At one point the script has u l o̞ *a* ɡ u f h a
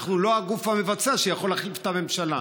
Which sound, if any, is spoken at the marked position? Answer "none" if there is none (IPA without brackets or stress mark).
a